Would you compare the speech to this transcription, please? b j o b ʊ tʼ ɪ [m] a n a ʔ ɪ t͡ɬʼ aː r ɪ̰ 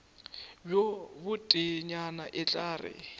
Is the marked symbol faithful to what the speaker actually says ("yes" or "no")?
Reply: no